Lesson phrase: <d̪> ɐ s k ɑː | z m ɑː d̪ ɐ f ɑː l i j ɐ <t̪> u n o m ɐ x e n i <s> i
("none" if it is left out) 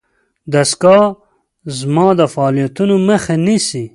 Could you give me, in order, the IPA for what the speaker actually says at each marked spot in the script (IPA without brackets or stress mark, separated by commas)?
d̪, t̪, s